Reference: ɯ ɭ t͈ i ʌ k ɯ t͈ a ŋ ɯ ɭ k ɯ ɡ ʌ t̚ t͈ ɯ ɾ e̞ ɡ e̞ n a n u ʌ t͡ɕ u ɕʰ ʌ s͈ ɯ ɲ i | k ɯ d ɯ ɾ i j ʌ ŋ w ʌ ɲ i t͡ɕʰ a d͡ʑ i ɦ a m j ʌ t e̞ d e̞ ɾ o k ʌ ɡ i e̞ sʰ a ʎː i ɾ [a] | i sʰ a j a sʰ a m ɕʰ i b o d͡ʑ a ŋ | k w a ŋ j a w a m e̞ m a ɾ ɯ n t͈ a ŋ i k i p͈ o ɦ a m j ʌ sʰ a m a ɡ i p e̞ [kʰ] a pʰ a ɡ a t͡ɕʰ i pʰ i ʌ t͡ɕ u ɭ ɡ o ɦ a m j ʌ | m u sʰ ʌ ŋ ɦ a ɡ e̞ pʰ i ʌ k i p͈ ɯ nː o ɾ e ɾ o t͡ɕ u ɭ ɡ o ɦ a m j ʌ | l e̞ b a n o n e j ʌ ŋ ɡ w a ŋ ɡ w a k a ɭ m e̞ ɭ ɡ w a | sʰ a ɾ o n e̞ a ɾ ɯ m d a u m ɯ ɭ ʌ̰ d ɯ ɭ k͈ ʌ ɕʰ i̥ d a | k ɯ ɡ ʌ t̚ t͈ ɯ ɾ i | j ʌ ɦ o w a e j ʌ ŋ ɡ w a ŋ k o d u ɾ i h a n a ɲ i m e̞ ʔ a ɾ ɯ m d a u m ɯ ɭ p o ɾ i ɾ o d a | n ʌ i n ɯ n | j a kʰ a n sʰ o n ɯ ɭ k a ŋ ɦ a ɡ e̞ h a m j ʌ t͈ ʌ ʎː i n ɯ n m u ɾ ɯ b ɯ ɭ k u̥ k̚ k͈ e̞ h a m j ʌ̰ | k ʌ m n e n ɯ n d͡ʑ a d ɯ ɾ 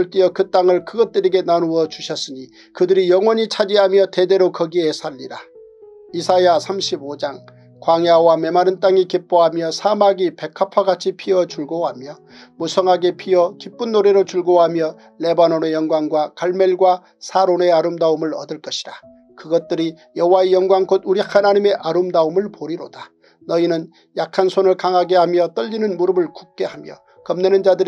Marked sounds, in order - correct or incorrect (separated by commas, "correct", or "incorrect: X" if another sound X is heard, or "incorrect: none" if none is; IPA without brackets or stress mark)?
correct, correct